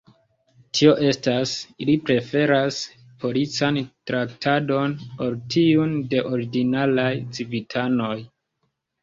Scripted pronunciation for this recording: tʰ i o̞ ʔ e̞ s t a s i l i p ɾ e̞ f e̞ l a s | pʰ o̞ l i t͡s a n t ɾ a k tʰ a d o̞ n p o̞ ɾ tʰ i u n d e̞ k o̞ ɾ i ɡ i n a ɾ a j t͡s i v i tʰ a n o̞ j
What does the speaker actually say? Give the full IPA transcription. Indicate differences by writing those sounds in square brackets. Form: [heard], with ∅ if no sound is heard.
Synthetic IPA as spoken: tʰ i o̞ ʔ e̞ s t a s i l i p ɾ e̞ f e̞ [ɾ] a s | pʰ o̞ l i t͡s a n t ɾ a k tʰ a d o̞ n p o̞ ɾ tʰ i u n d e̞ [ʔ] o̞ ɾ i ɡ i n a [l] a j t͡s i v i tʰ a n o̞ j